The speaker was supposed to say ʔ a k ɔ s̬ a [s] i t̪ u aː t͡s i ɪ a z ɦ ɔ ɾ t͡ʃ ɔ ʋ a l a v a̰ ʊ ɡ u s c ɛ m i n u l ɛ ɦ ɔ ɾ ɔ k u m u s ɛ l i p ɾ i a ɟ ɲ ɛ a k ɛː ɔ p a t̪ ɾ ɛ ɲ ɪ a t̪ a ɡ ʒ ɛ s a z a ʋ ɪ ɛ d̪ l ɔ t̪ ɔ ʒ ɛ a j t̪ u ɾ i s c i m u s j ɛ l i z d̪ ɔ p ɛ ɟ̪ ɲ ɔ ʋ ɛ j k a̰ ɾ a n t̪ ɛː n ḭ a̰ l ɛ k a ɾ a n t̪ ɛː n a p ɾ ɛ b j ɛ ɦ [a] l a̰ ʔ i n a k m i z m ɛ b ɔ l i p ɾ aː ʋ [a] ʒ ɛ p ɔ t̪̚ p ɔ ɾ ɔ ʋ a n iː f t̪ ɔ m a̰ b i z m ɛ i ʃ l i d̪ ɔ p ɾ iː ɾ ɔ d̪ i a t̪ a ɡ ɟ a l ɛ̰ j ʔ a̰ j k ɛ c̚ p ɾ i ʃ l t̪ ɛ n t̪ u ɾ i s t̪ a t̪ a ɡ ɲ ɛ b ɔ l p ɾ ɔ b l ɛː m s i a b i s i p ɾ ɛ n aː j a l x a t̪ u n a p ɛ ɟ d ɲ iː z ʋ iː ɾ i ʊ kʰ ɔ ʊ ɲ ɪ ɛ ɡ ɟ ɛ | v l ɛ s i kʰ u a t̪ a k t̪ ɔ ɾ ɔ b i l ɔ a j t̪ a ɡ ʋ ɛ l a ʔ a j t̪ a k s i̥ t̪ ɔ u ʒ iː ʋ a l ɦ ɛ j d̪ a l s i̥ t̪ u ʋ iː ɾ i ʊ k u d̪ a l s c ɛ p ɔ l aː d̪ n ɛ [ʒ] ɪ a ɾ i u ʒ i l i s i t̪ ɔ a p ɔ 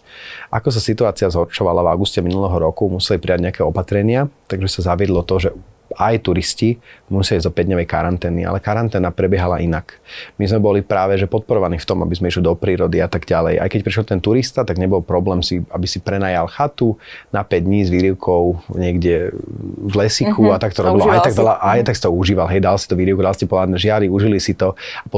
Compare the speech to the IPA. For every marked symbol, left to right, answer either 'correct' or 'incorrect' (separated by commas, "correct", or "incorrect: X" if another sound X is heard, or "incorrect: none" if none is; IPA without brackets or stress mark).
correct, correct, incorrect: ɛ, correct